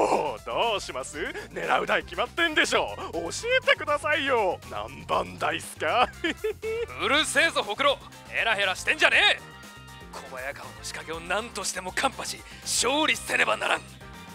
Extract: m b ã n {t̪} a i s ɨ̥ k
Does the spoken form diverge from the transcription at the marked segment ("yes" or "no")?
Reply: yes